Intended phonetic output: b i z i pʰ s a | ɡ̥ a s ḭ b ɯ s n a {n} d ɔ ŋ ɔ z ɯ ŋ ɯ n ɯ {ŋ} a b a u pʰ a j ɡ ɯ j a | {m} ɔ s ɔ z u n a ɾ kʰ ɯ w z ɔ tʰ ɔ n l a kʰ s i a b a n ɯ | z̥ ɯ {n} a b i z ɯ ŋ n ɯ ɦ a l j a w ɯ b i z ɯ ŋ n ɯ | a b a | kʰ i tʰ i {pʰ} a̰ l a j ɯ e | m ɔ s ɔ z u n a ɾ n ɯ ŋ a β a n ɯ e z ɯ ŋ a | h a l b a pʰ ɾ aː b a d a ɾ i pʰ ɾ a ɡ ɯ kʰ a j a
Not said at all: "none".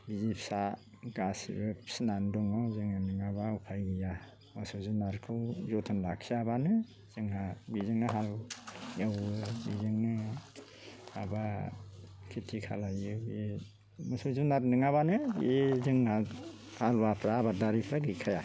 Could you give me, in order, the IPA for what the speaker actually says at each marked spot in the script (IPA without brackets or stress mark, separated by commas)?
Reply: n, ŋ, m, ŋ, kʰ